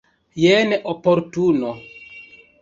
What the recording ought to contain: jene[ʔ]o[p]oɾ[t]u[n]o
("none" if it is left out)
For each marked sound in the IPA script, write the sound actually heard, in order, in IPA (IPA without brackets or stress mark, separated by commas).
ʔ, p, t, n